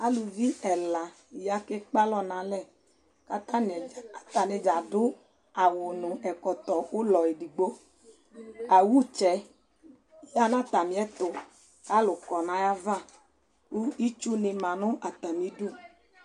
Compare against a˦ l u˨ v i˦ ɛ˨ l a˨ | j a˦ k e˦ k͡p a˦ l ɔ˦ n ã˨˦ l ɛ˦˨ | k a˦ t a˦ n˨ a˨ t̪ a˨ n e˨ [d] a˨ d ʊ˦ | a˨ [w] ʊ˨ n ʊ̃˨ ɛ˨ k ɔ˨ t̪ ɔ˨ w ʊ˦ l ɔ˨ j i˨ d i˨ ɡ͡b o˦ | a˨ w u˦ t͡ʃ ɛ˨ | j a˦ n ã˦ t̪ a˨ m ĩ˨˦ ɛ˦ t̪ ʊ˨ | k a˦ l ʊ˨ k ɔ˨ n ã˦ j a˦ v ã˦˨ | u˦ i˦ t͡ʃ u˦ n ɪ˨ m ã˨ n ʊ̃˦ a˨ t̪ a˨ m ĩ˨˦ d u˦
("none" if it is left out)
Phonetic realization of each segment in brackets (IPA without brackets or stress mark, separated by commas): d͡ʒ, w